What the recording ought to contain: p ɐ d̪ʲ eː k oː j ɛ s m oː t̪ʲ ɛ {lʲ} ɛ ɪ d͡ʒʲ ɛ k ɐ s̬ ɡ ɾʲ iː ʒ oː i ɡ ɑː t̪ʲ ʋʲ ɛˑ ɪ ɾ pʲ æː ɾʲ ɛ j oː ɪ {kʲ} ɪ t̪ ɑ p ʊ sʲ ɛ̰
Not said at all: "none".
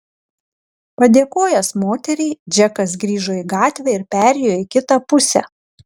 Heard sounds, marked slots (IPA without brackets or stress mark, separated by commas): ɾʲ, kʲ